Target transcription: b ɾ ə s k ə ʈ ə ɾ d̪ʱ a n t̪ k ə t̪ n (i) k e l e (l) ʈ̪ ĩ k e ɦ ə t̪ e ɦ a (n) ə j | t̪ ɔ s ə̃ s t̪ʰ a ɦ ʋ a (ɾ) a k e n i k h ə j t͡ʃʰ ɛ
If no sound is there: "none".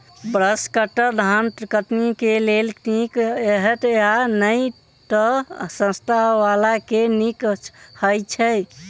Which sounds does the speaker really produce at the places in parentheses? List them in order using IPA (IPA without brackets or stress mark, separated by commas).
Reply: i, l, n, l